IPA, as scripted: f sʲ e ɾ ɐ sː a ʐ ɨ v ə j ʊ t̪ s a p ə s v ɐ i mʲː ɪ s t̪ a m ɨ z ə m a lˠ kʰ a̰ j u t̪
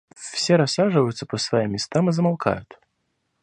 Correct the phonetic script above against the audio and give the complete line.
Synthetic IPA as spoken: f sʲ e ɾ ɐ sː a ʐ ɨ v ə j ʊ t̪ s ə p ə s v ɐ i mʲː ɪ s t̪ a m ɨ z ə m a lˠ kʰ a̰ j ʊ t̪